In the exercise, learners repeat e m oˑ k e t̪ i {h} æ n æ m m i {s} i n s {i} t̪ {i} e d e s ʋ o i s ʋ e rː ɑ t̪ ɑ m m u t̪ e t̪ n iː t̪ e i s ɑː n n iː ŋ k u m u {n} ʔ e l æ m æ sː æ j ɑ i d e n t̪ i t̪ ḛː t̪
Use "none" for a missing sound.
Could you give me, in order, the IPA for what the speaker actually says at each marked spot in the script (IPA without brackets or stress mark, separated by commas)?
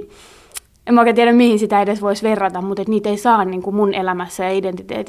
none, h, i, æ, n